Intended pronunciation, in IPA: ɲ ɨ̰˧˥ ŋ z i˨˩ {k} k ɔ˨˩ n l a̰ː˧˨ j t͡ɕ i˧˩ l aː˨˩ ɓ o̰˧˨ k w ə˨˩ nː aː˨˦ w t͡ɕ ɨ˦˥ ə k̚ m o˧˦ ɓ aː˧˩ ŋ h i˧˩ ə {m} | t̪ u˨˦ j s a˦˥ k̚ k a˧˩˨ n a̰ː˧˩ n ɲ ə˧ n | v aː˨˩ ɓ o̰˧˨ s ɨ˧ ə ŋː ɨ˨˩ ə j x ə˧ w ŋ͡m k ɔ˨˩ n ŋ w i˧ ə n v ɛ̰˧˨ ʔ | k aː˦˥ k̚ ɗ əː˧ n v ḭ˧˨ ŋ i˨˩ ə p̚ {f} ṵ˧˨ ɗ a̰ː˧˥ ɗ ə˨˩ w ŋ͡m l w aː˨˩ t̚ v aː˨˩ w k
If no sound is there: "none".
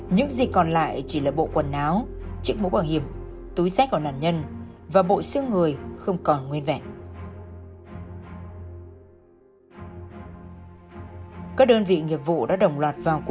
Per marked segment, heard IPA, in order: k, m, v

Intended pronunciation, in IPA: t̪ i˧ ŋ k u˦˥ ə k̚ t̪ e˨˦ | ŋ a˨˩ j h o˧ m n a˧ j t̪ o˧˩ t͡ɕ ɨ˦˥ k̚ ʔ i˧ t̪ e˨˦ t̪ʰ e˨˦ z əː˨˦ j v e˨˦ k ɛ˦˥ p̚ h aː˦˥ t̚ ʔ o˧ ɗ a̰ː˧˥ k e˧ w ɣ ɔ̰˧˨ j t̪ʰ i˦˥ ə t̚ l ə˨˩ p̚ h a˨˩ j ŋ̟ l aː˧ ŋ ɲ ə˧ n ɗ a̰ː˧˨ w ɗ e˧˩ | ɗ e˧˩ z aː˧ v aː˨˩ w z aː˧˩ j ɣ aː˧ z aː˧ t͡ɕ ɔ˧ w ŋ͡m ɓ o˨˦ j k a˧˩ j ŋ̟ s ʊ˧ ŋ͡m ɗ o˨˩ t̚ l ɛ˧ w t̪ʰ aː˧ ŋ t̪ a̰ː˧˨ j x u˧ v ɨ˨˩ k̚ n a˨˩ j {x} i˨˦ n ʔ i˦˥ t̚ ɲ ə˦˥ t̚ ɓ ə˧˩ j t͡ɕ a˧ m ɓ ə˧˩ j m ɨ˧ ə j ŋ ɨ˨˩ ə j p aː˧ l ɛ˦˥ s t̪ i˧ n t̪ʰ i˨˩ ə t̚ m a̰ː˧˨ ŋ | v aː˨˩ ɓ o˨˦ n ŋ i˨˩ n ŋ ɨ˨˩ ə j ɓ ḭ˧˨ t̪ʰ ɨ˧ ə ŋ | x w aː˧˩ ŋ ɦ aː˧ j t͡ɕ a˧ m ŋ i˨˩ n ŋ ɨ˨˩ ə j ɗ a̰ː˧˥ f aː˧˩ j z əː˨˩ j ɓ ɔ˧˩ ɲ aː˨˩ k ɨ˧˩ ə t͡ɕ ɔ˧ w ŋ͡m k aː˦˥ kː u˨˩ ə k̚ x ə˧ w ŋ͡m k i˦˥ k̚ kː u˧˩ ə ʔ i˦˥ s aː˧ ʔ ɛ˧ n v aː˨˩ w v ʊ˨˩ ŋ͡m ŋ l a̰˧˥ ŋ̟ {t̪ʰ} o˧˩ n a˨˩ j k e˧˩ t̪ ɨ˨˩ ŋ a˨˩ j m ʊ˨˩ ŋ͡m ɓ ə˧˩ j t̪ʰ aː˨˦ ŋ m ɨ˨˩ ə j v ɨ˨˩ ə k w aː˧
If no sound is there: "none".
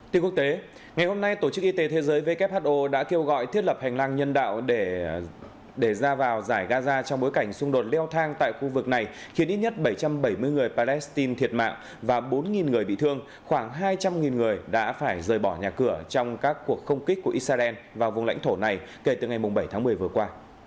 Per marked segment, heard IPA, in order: x, t̪ʰ

